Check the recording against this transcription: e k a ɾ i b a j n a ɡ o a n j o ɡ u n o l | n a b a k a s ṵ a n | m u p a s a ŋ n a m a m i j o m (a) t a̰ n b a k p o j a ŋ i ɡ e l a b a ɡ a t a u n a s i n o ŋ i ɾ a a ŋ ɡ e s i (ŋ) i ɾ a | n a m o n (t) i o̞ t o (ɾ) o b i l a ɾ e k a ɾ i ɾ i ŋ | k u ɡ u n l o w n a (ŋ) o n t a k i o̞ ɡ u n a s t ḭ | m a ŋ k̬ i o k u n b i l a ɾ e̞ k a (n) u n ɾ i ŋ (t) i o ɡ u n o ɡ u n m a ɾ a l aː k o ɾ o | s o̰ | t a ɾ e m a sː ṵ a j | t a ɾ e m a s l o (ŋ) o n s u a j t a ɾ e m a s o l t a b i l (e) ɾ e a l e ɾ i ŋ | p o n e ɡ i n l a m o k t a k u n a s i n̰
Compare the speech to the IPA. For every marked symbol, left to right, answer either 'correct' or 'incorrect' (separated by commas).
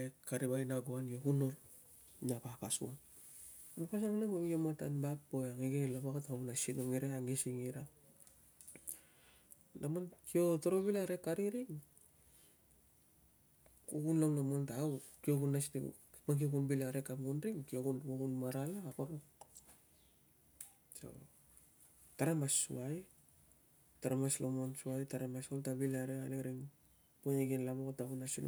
correct, correct, incorrect, correct, incorrect, incorrect, incorrect, incorrect, incorrect